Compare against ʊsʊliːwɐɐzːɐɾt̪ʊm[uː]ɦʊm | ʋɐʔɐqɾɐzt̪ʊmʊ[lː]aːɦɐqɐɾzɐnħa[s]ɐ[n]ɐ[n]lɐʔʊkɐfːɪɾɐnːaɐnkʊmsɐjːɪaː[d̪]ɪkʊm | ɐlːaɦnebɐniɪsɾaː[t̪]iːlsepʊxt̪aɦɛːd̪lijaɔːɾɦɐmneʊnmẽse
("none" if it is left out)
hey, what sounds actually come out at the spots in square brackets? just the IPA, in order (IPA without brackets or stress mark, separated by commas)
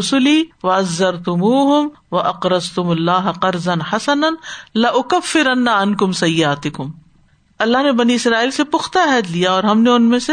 uː, lː, s, n, n, t̪, none